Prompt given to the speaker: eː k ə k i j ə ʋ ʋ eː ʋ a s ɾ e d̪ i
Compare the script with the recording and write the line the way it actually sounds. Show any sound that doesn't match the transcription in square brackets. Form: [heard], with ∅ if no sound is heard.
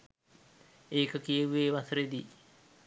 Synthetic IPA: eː k ə k i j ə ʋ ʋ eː ʋ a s ɾ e d̪ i

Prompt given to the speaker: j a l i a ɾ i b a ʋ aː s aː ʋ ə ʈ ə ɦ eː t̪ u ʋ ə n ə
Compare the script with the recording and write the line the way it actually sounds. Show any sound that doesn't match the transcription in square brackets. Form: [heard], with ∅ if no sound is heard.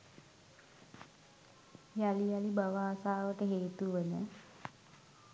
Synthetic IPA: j a l i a [l] i b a ʋ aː s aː ʋ ə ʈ ə ɦ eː t̪ u ʋ ə n ə

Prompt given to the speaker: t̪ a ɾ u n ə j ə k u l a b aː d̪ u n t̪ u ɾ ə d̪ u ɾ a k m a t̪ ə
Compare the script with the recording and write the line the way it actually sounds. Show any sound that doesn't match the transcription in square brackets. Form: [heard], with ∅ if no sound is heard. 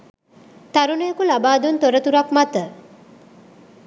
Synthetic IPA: t̪ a ɾ u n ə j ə k u l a b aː d̪ u n t̪ [o] ɾ ə [t̪] u ɾ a k m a t̪ ə

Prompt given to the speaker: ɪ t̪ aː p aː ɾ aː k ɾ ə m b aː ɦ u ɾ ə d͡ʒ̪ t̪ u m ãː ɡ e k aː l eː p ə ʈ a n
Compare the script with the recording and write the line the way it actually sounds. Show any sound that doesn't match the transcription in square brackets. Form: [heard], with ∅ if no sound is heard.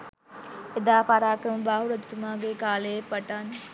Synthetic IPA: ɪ [d̪] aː p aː ɾ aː k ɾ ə m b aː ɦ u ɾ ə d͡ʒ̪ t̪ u m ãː ɡ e k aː l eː p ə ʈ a n

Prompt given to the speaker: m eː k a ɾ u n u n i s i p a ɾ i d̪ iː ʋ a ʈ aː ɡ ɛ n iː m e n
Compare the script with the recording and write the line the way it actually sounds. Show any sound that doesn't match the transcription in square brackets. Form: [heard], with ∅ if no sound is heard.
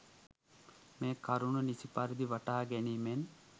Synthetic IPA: m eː k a ɾ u n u n i s i p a ɾ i d̪ [i] ʋ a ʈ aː ɡ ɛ n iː m e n

